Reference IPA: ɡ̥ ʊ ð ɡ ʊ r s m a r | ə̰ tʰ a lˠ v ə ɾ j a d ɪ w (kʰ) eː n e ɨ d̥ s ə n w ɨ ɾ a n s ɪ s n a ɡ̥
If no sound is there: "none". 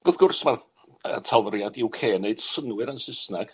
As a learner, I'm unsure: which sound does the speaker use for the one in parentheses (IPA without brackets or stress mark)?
kʰ